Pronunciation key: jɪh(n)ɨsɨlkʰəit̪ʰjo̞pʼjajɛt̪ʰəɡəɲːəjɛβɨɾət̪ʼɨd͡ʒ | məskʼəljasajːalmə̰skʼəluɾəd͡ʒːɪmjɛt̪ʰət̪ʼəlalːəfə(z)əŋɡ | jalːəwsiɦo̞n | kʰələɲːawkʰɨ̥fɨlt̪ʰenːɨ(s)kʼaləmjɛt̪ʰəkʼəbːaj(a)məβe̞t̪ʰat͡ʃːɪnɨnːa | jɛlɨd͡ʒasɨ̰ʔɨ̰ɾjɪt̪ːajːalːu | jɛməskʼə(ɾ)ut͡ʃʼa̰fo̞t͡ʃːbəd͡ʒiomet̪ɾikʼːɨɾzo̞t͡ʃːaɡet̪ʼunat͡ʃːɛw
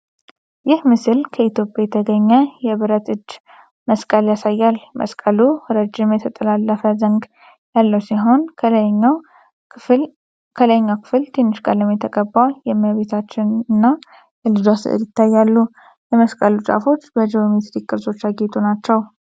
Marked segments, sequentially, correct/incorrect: incorrect: m, correct, incorrect: ʃ, incorrect: ɛ, incorrect: l

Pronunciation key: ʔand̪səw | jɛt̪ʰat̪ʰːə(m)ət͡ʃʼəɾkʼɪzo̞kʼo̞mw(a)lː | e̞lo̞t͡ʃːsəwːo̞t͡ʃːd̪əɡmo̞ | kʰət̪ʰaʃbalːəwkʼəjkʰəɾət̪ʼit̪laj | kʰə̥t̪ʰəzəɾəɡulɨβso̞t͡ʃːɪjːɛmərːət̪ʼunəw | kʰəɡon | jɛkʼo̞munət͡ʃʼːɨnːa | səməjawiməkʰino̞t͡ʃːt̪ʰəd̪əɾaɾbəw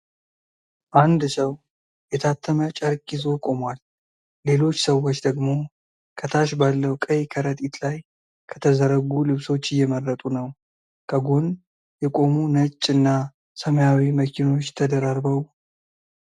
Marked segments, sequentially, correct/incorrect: correct, correct

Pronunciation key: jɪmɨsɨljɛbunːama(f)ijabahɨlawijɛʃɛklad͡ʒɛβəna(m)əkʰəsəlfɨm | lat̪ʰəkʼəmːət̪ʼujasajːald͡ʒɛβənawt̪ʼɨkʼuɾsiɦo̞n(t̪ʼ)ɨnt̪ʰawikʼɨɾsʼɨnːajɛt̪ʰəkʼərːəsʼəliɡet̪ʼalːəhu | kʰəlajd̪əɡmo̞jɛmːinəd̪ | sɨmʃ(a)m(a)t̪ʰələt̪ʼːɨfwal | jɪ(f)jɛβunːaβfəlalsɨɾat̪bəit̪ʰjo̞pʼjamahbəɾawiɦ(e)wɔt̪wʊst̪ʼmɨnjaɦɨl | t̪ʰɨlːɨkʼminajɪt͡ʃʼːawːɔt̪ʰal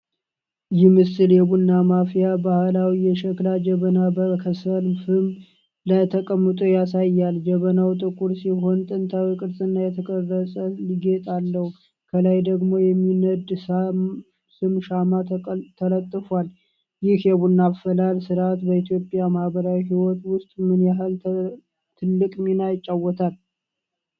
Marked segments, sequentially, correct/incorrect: correct, incorrect: b, correct, correct, correct, incorrect: h, incorrect: i

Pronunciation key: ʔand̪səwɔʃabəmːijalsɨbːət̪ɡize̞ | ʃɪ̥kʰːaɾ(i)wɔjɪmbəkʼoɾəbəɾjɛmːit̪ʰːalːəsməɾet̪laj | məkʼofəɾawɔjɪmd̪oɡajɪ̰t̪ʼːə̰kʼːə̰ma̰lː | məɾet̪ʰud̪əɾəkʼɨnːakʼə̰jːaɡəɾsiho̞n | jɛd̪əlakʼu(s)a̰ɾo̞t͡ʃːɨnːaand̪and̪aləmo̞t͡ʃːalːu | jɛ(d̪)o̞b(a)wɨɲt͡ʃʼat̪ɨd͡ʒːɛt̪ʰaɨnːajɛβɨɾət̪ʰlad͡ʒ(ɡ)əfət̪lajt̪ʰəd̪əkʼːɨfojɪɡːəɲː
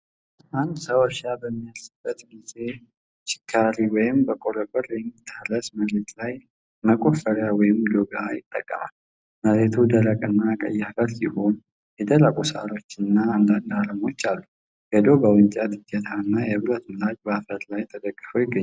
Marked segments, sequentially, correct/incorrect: correct, correct, correct, incorrect: ə, incorrect: b

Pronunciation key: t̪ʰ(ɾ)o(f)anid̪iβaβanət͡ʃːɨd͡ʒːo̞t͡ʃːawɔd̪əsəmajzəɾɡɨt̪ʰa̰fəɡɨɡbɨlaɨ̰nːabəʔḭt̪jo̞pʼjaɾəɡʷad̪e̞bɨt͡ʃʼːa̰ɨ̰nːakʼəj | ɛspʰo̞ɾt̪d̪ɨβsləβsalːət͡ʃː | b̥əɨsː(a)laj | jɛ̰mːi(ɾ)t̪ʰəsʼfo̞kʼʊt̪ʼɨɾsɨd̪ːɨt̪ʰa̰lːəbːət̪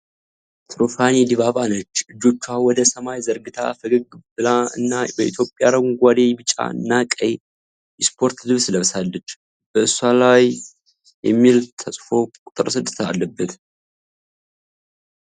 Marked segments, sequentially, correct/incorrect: correct, correct, correct, incorrect: l

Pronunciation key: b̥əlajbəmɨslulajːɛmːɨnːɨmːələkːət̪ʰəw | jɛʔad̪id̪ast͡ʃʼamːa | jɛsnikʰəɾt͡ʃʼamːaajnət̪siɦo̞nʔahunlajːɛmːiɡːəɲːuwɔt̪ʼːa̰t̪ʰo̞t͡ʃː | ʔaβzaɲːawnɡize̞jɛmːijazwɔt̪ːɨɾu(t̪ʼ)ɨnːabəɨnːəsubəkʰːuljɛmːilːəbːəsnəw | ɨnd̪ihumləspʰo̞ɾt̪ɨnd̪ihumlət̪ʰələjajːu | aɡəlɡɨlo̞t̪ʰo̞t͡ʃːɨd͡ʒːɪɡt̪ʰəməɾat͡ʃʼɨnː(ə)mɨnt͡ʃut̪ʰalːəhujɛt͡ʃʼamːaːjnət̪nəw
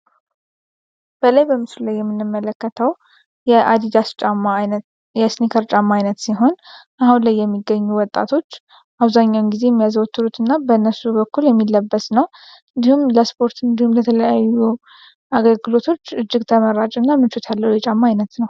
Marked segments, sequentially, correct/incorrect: incorrect: t̪, incorrect: a

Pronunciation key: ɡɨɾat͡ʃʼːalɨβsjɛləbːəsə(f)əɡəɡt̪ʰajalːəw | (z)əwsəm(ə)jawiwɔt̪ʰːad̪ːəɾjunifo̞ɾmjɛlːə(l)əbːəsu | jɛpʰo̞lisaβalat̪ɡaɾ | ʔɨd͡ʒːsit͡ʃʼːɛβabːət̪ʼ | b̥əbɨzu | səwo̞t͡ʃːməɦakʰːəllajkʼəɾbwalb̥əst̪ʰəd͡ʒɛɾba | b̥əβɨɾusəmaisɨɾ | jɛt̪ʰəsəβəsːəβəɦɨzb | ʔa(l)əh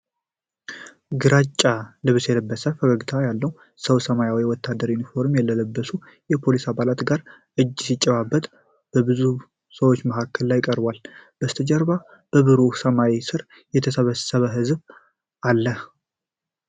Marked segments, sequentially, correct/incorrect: correct, incorrect: s, incorrect: a, correct, incorrect: lː

